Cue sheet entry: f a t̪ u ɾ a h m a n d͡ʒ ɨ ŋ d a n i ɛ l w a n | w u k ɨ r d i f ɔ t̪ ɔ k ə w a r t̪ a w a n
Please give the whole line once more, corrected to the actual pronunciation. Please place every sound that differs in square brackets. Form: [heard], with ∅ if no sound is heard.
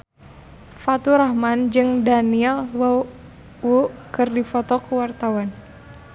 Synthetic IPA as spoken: f a t̪ u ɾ a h m a n d͡ʒ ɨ ŋ d a n i ɛ l w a [∅] | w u k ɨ r d i f ɔ t̪ ɔ k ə w a r t̪ a w a n